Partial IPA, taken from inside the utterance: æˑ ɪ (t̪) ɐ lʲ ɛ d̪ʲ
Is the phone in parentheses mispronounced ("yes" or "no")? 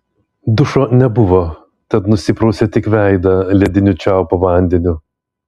yes